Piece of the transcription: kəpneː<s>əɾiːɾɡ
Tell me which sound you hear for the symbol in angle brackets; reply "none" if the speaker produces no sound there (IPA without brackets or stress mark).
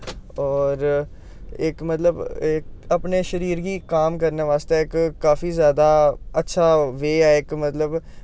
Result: ʃ